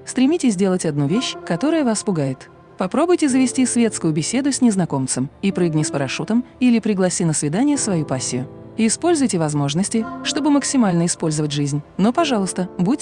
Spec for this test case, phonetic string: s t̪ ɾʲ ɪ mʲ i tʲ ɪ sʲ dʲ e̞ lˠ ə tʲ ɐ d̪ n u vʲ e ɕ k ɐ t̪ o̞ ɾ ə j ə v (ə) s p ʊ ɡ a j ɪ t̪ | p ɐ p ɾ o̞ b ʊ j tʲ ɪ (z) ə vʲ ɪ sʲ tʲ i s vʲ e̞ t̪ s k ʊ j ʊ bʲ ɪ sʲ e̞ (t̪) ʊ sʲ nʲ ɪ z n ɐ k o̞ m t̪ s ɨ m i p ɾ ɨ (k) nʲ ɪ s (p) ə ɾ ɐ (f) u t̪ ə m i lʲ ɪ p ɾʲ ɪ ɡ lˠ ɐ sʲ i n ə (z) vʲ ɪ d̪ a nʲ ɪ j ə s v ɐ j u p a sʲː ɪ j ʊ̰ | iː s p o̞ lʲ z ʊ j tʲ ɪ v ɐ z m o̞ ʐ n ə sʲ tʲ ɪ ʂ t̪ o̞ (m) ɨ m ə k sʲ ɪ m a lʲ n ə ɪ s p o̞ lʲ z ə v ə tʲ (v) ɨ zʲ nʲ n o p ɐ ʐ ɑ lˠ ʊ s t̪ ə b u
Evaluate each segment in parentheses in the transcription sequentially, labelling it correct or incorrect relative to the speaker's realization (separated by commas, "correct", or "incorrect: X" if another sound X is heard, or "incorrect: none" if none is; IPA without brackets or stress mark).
incorrect: a, correct, incorrect: d̪, incorrect: ɡ, correct, incorrect: ʂ, incorrect: s, incorrect: b, incorrect: ʐ